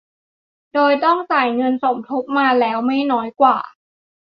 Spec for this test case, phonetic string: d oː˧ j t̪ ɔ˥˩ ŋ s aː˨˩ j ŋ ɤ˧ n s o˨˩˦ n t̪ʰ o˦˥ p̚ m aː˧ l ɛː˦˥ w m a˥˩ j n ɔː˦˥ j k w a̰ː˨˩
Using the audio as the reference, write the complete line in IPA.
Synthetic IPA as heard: d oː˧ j t̪ ɔ˥˩ ŋ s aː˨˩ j ŋ ɤ˧ n s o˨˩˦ m t̪ʰ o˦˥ p̚ m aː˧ l ɛː˦˥ w m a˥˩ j n ɔː˦˥ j k w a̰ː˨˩